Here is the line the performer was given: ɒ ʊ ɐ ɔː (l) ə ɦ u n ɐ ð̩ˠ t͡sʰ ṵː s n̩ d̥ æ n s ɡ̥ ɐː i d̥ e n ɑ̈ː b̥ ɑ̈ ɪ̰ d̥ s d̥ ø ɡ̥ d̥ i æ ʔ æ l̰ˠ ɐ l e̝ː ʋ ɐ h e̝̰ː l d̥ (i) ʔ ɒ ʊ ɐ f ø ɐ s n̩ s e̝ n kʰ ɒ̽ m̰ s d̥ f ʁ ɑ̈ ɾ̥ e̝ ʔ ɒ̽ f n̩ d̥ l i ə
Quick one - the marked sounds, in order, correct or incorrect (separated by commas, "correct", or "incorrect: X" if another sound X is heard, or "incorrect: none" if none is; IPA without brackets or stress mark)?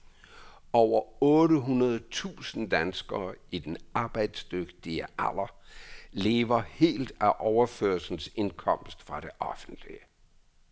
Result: incorrect: ɾ, incorrect: æ